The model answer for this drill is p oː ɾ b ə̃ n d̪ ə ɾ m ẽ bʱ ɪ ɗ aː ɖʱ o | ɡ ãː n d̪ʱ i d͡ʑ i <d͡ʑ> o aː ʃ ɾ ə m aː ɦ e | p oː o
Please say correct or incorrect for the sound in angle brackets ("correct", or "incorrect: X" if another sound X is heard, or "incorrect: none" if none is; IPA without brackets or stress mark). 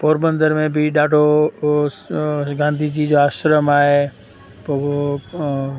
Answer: correct